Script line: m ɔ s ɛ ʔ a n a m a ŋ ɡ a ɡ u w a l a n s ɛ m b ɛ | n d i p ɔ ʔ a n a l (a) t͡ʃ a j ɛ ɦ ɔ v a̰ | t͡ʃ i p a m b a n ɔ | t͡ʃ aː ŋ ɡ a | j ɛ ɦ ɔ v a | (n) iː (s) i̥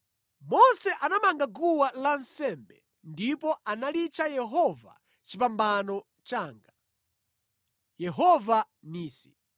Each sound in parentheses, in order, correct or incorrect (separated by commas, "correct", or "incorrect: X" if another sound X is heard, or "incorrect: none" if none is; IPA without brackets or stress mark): incorrect: i, correct, correct